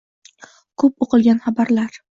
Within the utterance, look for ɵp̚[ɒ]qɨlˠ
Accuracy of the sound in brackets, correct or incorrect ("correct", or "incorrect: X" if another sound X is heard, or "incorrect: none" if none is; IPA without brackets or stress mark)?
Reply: incorrect: o